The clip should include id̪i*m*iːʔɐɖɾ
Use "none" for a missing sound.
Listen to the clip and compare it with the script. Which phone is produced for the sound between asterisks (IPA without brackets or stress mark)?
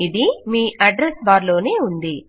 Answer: m